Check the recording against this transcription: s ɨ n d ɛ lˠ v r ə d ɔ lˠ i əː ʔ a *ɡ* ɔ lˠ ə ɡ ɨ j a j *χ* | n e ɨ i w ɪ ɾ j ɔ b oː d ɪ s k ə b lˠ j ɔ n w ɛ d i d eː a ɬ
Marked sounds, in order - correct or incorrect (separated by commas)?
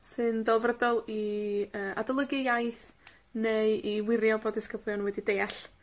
incorrect, incorrect